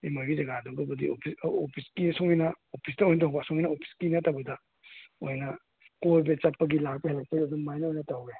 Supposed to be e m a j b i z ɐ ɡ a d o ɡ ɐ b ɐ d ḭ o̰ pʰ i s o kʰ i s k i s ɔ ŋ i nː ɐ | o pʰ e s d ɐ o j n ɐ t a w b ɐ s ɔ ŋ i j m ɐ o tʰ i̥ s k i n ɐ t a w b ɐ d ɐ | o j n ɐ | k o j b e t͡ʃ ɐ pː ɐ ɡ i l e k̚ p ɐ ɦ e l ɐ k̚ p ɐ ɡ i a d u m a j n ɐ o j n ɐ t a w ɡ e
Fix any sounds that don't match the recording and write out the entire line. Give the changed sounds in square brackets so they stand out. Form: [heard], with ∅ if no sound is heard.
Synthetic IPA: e m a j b i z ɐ ɡ a d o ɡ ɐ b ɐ d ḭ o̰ pʰ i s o [pʰ] i s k i s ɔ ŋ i [n] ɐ | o pʰ [i] s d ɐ o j n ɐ t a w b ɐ s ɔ ŋ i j [n] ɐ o [pʰ] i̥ s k i n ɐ t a w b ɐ d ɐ | o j n ɐ | k o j b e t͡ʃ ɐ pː ɐ ɡ i l [a] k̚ p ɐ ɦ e l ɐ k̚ p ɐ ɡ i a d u m a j n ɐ o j n ɐ t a w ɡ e